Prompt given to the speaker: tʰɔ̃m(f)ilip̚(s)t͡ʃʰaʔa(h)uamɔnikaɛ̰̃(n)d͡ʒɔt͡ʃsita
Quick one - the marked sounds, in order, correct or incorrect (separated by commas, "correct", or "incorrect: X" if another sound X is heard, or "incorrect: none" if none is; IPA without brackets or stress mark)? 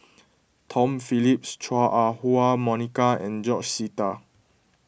correct, correct, correct, correct